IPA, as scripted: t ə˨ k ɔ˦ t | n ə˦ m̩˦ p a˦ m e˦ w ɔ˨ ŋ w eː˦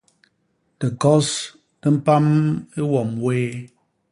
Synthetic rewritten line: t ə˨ k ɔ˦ s | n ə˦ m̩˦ p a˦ m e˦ w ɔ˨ m w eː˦